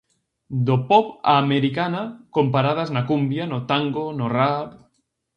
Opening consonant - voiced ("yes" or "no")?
yes